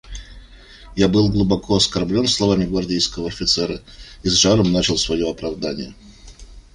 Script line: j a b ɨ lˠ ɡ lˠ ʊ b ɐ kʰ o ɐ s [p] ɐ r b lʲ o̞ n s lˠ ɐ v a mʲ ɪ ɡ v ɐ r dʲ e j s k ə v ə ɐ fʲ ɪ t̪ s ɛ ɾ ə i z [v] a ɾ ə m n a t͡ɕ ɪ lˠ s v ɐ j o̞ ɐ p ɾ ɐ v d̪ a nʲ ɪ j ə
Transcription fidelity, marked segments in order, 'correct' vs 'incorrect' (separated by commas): incorrect, incorrect